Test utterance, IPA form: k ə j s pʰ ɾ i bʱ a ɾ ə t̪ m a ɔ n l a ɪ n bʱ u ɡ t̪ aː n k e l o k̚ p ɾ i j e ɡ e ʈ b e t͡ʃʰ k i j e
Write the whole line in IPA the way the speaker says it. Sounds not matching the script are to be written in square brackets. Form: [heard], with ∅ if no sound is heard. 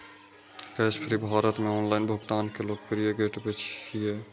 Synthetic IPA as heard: k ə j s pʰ ɾ i bʱ a ɾ ə t̪ m [e] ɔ n l a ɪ n bʱ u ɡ t̪ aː n k e l o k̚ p ɾ i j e ɡ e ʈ b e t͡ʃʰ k i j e

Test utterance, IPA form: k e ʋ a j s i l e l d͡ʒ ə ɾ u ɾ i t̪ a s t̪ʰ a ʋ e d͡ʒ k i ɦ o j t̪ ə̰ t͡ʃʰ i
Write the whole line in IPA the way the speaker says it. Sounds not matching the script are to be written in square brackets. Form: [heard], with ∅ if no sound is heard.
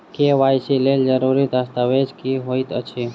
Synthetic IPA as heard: k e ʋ a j s i l e l d͡ʒ ə ɾ u ɾ i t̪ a s [t̪] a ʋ e d͡ʒ k i ɦ o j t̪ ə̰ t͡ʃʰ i

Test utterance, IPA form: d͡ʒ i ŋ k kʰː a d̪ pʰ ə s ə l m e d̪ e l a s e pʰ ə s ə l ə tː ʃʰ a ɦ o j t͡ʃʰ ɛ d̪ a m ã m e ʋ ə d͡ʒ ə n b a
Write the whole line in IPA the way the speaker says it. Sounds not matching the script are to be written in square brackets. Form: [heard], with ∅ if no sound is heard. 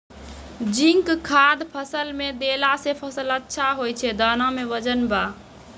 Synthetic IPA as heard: d͡ʒ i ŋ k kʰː a d̪ pʰ ə s ə l m e d̪ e l a s e pʰ ə s ə l ə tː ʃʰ a ɦ o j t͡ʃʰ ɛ d̪ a [n] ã m e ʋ ə d͡ʒ ə n b a

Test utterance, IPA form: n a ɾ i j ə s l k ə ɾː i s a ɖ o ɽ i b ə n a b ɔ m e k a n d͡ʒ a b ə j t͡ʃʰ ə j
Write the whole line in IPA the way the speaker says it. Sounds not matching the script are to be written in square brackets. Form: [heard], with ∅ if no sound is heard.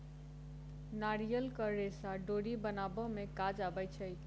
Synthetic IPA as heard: n a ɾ i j ə [∅] l k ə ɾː [e] s a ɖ o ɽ i b ə n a b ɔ m e k a [∅] d͡ʒ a b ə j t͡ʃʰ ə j

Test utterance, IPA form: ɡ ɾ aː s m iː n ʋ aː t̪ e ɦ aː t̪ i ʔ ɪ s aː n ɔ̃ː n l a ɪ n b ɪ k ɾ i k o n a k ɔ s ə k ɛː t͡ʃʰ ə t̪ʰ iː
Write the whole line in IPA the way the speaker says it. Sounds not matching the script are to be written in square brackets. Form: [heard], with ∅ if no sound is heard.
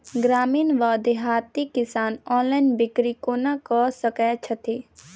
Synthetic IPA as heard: ɡ ɾ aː [∅] m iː n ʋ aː [d̪] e ɦ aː t̪ i [k] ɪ s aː n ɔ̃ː n l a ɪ n b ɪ k ɾ i k o n a k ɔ s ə k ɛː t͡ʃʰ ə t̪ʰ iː

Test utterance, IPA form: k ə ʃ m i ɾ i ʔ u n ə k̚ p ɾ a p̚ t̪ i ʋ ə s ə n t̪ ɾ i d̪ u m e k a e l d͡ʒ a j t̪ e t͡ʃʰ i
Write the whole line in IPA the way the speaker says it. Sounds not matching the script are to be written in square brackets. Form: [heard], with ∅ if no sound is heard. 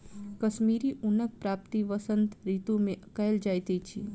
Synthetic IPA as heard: k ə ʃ m i ɾ i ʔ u n ə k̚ p ɾ a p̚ t̪ i ʋ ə s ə n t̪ ɾ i [t̪] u m e k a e l d͡ʒ a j t̪ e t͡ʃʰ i

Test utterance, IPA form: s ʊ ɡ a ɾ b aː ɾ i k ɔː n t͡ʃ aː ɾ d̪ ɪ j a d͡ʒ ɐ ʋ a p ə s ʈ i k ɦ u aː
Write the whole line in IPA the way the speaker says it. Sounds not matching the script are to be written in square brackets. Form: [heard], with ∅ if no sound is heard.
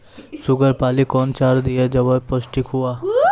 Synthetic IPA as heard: s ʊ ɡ [ə] ɾ [p] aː [l] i k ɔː n t͡ʃ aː ɾ d̪ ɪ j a d͡ʒ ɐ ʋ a p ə s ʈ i k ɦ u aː

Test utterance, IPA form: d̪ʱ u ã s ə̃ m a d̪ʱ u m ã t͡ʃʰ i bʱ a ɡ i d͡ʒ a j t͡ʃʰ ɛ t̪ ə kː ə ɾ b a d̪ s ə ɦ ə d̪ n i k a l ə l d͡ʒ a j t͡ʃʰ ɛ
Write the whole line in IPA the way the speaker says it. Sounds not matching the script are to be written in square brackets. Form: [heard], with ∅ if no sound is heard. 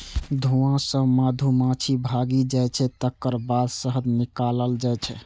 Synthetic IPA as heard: d̪ʱ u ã s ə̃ m a d̪ʱ u m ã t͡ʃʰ i bʱ a ɡ i d͡ʒ a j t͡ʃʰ ɛ t̪ ə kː ə ɾ b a d̪ s ə ɦ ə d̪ n i k a l ə l d͡ʒ a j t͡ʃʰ ɛ

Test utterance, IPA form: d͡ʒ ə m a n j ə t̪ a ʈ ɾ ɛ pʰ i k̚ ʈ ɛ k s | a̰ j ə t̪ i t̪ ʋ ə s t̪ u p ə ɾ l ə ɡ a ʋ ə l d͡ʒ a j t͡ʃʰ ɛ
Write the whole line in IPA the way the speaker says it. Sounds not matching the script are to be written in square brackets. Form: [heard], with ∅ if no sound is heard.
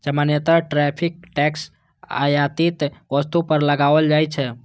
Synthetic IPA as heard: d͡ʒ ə m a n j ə t̪ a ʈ ɾ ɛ pʰ i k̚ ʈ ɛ k s | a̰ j [a] t̪ i t̪ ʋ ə s t̪ u p ə ɾ l ə ɡ a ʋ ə l d͡ʒ a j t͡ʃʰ ɛ

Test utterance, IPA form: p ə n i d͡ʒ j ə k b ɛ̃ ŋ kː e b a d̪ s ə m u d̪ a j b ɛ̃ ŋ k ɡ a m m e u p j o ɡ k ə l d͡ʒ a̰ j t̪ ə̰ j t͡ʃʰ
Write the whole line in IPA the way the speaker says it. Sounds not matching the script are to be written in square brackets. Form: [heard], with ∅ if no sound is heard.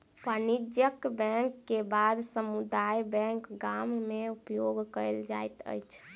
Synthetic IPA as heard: p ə n i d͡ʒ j ə k b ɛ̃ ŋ kː e b a d̪ s ə m u d̪ a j b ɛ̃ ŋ k ɡ a m m e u p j o ɡ k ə l d͡ʒ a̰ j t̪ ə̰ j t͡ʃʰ

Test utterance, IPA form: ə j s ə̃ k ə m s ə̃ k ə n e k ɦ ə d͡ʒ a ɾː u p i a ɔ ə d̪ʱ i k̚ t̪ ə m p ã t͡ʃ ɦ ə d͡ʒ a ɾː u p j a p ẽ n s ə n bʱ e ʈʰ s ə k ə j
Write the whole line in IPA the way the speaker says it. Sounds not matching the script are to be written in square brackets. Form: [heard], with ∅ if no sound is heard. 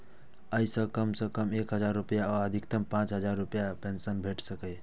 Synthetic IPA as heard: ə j s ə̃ k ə m s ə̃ k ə [m] e k ɦ ə d͡ʒ a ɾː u p [j] a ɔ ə d̪ʱ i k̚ t̪ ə m p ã t͡ʃ ɦ ə d͡ʒ a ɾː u p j a p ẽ n s ə n bʱ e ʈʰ s ə k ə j

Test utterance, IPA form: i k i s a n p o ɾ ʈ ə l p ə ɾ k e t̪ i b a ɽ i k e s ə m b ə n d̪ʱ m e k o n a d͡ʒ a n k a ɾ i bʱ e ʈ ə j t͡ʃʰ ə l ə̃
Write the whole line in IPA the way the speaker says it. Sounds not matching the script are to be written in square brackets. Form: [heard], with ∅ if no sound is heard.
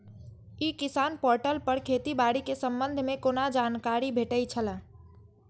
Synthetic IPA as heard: i k i s a n p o ɾ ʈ ə l p ə ɾ [kʰ] e t̪ i b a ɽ i k e s ə m b ə n d̪ʱ m e k o n a d͡ʒ a n k a ɾ i bʱ e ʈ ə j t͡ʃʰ ə l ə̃

